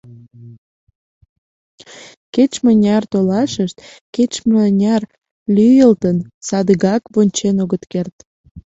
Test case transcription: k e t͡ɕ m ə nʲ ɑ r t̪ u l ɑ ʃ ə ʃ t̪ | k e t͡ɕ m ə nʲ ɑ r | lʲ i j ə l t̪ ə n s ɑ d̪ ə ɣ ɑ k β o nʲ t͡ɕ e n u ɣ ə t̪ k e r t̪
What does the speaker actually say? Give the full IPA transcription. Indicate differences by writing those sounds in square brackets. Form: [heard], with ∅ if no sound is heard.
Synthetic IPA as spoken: k e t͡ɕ m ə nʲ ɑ r t̪ [o] l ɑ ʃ ə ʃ t̪ | k e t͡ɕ m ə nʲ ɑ r | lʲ [y] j ə l t̪ ə n s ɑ d̪ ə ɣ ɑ k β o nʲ t͡ɕ e n [o] ɣ ə t̪ k e r t̪